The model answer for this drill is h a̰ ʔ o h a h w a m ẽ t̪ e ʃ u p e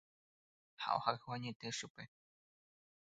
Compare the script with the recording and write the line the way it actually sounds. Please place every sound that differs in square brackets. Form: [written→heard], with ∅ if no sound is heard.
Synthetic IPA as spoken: h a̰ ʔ o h a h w a [m→ɲ] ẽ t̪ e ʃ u p e